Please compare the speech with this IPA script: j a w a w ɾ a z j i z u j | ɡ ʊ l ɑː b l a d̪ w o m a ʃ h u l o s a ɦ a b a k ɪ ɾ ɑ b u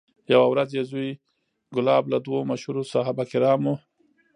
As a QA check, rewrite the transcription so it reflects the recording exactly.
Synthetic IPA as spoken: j a w a w ɾ a z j e z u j | ɡ ʊ l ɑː b l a d̪ w o m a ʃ h u ɾ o s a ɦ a b a k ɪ ɾ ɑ m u